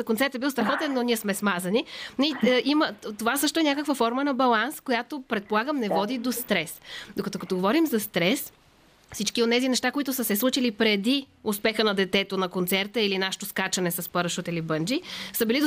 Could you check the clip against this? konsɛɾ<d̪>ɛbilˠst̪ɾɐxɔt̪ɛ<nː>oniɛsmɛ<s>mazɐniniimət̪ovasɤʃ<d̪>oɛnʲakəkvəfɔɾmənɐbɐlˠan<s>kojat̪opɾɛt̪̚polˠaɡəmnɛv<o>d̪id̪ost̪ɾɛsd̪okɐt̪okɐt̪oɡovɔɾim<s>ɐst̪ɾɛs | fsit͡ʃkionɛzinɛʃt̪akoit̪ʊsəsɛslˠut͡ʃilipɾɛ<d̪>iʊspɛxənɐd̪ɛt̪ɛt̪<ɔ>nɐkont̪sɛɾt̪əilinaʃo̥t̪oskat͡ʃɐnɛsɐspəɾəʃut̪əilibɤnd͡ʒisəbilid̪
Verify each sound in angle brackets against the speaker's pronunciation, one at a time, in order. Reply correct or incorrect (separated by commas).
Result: incorrect, correct, correct, incorrect, correct, incorrect, incorrect, correct, incorrect